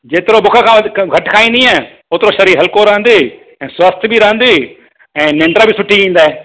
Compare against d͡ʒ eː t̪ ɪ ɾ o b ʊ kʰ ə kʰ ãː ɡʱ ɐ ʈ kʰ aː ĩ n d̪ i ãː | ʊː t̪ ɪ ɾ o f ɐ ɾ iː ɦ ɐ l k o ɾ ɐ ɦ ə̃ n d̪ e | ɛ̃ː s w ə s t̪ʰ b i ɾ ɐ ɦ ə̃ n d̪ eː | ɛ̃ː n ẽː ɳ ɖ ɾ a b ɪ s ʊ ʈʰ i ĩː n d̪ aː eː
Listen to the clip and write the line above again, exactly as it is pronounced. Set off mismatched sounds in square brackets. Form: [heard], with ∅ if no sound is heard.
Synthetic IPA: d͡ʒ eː t̪ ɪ ɾ o b ʊ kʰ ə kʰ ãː ɡʱ ɐ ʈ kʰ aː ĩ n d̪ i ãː | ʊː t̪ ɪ ɾ o [ʃ] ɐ ɾ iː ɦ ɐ l k o ɾ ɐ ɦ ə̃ n d̪ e | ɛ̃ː s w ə s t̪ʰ b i ɾ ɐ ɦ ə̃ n d̪ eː | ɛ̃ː n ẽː ɳ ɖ ɾ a b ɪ s ʊ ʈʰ i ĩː n d̪ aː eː